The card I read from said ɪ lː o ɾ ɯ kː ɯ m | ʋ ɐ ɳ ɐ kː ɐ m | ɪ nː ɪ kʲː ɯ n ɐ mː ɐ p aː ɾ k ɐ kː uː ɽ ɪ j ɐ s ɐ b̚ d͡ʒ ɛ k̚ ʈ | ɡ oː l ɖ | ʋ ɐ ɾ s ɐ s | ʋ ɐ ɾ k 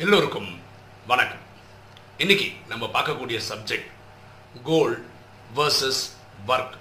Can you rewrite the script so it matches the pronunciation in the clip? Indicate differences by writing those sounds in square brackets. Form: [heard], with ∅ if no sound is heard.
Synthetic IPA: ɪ lː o ɾ ɯ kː ɯ m | ʋ ɐ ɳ ɐ kː ɐ m | ɪ nː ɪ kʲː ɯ n ɐ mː ɐ p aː ɾ k ɐ kː uː ɽ ɪ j ɐ s ɐ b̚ d͡ʒ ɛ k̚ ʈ | ɡ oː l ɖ | ʋ ɐ ɾ s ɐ s | ʋ ɐ ɾ k